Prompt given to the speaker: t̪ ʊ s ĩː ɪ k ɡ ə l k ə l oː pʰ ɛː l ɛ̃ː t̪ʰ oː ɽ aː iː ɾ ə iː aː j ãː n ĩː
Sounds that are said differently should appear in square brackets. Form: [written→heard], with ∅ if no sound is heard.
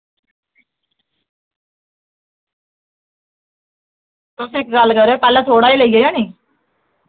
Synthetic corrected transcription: t̪ ʊ s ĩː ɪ k ɡ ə l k ə [l→ɾ] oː [pʰ→p] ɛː l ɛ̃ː t̪ʰ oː ɽ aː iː [ɾ→l] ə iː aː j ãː n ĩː